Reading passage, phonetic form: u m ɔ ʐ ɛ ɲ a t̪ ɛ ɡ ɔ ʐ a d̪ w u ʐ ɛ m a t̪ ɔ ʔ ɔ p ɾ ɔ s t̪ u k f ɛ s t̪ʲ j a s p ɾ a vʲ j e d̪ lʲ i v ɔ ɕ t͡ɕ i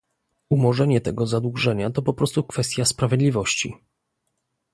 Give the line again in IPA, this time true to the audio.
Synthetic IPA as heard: u m ɔ ʐ ɛ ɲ ɛ t̪ ɛ ɡ ɔ z a d̪ w u ʐ ɛ ɲ a t̪ ɔ p ɔ p ɾ ɔ s t̪ u k f ɛ s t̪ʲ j a s p ɾ a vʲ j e d̪ lʲ i v ɔ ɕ t͡ɕ i